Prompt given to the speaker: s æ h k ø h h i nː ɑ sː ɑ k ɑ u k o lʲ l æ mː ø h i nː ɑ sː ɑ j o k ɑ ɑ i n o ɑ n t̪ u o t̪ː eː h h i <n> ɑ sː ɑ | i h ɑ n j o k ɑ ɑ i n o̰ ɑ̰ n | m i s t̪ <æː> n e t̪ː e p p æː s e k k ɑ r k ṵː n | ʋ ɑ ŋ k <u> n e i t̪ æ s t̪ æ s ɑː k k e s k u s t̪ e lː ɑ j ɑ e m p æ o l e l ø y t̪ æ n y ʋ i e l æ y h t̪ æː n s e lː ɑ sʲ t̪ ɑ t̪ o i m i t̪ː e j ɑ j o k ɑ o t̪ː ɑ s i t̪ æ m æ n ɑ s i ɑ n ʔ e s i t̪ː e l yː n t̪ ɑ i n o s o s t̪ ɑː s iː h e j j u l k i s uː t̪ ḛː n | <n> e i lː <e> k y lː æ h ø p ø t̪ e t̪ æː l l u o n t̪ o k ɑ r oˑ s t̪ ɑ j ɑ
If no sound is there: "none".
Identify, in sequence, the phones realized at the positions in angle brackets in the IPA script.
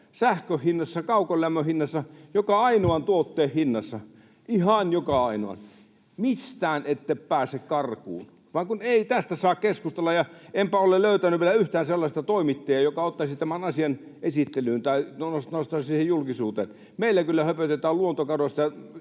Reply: nː, æː, u, m, æ

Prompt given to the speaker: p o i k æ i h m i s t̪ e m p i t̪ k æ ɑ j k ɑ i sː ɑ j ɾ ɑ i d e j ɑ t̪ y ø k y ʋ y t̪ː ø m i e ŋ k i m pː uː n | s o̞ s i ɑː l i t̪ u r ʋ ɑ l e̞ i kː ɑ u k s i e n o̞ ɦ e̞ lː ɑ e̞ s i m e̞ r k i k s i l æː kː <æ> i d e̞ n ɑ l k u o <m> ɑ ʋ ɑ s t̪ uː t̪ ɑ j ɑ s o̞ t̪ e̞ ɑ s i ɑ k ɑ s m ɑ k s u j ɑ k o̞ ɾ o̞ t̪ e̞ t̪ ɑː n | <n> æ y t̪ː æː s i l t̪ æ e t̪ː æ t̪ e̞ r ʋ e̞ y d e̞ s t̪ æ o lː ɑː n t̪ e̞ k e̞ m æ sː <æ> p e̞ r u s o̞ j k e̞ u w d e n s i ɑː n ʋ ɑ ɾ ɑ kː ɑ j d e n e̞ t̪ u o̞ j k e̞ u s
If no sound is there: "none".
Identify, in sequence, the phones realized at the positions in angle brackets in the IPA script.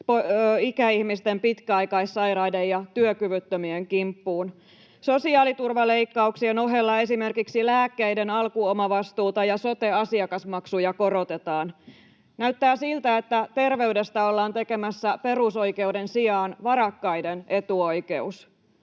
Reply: e, m, n, æ

